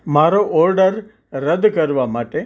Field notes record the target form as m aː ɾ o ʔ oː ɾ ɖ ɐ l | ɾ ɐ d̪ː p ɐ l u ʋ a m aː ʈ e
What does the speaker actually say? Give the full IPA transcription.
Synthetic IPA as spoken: m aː ɾ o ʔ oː ɾ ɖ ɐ ɾ | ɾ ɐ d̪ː k ɐ ɾ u ʋ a m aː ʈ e